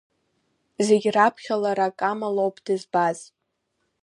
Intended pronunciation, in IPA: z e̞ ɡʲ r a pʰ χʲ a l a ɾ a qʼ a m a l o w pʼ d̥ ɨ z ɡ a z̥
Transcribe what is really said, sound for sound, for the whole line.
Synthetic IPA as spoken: z e̞ ɡʲ r a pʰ χʲ a l a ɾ a kʼ a m a l o w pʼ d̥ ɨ z b a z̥